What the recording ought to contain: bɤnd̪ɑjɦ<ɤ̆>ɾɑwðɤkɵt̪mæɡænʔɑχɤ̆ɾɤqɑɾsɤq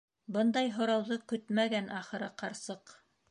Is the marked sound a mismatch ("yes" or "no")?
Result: yes